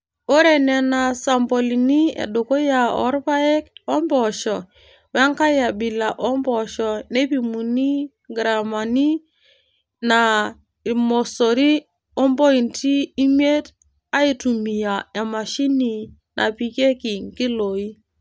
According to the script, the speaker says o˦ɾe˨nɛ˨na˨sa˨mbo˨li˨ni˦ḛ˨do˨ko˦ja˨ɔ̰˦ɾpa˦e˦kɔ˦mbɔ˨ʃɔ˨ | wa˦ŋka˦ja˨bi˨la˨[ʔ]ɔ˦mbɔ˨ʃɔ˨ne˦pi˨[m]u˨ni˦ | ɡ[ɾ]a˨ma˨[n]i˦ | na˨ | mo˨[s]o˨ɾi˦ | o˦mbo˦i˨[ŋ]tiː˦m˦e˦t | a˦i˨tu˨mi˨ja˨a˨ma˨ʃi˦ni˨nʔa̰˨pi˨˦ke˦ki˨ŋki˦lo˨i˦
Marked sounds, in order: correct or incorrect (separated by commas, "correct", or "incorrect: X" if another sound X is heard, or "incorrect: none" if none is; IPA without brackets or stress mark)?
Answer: correct, correct, correct, correct, correct, incorrect: n